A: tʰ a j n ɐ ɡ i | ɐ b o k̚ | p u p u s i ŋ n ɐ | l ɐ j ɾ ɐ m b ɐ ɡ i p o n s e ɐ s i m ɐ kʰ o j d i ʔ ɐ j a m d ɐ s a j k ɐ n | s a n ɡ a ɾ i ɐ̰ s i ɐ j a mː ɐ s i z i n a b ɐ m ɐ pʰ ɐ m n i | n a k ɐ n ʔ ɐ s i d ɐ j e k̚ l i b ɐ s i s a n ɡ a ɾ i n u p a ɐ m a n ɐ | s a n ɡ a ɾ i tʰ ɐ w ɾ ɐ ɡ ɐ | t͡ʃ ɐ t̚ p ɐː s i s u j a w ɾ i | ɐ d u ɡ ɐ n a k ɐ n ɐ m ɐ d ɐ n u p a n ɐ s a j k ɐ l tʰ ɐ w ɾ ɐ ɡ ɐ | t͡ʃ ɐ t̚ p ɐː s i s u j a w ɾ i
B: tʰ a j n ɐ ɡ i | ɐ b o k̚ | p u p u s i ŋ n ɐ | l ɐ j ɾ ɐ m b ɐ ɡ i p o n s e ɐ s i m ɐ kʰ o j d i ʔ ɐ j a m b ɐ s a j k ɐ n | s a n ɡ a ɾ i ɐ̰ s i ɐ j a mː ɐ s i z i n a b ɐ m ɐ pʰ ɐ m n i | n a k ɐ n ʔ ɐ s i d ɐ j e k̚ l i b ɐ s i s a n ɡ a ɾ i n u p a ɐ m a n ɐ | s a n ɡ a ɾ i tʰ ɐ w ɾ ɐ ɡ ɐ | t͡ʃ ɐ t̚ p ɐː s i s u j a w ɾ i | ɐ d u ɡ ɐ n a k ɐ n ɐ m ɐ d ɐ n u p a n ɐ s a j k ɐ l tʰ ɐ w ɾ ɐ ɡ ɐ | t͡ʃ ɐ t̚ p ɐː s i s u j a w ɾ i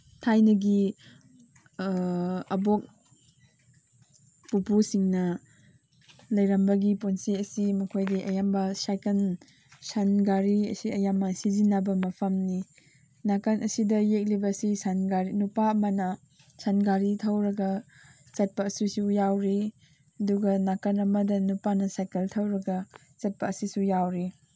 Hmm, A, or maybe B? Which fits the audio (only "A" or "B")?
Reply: B